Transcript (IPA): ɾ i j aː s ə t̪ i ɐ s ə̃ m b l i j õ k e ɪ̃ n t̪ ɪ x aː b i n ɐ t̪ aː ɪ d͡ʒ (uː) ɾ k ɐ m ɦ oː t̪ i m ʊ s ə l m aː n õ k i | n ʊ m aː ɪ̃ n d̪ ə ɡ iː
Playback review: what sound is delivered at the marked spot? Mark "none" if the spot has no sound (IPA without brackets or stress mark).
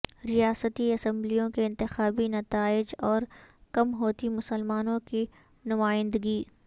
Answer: ɔː